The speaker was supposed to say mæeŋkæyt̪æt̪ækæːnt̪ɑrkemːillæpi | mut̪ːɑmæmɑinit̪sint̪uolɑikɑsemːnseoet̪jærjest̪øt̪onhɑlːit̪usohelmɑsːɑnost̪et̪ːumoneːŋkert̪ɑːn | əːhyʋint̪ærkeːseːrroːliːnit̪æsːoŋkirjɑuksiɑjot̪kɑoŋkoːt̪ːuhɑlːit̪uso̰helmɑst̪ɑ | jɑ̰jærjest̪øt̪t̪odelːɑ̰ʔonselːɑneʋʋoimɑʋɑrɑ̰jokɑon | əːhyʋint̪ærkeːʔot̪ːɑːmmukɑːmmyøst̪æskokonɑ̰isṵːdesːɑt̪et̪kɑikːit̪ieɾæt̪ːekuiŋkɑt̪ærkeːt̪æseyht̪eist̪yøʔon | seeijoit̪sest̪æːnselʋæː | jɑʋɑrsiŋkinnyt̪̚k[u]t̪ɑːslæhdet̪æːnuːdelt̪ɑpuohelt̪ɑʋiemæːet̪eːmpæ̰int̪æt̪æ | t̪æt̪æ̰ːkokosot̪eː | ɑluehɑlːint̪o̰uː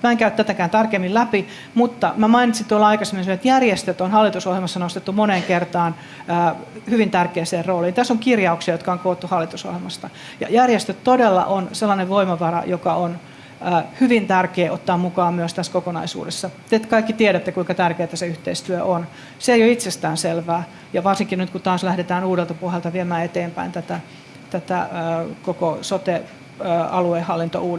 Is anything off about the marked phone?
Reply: no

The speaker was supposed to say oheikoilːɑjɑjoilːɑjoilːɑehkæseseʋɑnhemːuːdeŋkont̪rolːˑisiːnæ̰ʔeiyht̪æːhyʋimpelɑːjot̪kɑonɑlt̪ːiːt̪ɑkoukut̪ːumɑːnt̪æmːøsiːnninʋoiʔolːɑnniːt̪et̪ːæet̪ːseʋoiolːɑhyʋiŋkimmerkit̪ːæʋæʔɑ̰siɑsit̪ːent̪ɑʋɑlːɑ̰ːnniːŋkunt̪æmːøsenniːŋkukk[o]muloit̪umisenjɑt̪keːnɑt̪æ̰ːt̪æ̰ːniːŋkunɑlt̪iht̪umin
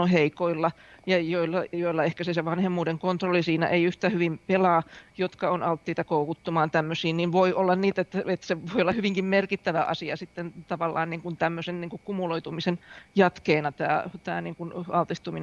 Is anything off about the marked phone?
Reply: yes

